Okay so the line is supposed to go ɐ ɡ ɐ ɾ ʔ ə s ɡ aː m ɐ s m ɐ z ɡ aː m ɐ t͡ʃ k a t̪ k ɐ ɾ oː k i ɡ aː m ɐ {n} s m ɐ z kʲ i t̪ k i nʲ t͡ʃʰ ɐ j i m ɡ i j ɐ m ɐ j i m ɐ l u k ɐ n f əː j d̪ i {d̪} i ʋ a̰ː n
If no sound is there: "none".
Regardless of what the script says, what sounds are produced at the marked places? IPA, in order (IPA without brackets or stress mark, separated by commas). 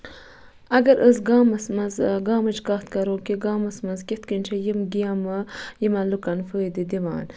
none, d̪